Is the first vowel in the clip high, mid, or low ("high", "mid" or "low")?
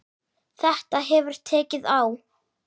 mid